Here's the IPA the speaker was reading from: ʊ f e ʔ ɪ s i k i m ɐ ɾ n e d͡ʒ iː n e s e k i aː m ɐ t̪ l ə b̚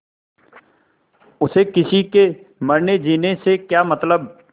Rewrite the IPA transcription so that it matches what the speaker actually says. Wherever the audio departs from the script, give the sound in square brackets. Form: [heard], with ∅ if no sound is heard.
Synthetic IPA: ʊ [s] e [k] ɪ s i k [e] m ɐ ɾ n e d͡ʒ iː n e s e k [j] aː m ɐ t̪ l ə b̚